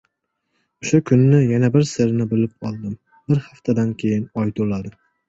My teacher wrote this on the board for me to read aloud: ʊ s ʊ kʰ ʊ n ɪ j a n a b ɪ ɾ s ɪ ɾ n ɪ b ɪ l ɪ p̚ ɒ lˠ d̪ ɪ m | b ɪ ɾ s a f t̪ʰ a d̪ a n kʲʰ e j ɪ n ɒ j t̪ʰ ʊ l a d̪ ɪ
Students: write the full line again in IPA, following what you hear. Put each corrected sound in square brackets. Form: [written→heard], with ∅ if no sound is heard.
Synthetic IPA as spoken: ʊ [s→ʃ] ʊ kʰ ʊ [n→nː] ɪ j a n a b ɪ ɾ s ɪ ɾ n ɪ b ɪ l ɪ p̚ ɒ lˠ d̪ ɪ m | b ɪ ɾ [s→h] a f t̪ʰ a d̪ a n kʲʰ e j ɪ n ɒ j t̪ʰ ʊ l a d̪ ɪ